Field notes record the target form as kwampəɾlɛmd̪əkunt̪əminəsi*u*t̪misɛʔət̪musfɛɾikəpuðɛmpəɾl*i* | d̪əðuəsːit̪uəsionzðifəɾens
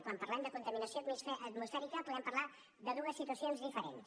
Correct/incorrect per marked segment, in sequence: incorrect: o, incorrect: a

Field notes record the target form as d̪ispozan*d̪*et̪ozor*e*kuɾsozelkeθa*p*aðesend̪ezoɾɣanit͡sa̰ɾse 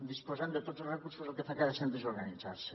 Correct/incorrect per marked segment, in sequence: correct, correct, incorrect: k

